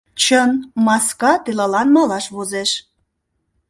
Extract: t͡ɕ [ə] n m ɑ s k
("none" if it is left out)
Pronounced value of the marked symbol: ə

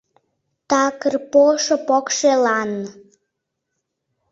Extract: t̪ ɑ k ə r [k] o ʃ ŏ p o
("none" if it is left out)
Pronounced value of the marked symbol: p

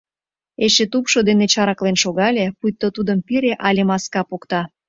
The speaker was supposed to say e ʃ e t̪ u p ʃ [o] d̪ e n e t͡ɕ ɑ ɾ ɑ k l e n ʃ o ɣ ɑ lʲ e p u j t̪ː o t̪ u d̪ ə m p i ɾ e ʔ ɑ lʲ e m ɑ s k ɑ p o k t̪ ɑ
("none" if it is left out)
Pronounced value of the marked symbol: o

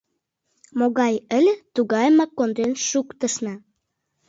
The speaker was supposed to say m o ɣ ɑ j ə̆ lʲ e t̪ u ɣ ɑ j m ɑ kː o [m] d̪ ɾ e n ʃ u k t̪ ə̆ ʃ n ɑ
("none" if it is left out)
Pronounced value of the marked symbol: n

